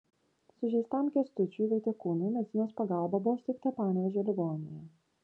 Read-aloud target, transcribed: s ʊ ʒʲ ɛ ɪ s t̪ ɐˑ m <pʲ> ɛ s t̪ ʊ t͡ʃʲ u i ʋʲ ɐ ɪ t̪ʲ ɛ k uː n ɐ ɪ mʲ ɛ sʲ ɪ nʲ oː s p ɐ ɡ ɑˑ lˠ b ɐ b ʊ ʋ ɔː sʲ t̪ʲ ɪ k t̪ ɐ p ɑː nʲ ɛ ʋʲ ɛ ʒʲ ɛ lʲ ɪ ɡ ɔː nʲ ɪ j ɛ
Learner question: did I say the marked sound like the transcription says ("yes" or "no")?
no